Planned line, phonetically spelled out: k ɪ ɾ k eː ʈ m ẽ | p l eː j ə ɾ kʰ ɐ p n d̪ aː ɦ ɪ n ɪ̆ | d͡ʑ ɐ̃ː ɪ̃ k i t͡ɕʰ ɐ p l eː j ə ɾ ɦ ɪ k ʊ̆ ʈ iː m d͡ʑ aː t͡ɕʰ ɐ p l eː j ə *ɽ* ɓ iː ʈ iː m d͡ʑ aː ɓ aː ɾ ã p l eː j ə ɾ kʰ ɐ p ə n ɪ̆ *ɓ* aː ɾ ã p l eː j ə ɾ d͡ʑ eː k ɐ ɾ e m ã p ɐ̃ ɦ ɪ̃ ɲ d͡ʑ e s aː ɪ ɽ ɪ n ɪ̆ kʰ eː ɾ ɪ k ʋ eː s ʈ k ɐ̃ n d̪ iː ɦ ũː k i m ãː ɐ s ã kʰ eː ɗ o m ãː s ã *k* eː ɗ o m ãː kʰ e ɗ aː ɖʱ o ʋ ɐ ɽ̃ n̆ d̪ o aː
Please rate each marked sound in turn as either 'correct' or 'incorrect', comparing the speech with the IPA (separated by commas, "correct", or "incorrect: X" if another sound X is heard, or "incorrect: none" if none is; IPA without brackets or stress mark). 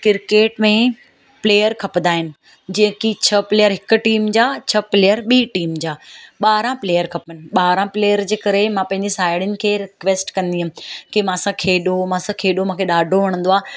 incorrect: ɾ, correct, incorrect: kʰ